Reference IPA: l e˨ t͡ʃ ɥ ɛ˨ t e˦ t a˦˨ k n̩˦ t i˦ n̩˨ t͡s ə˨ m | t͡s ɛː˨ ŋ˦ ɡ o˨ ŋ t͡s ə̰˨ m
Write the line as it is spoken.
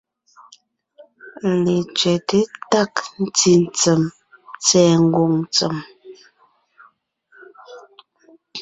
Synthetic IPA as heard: l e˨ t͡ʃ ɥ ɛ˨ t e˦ t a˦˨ k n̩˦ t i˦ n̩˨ t͡s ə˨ m | t͡s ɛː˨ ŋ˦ ɡ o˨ ŋ t͡s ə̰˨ m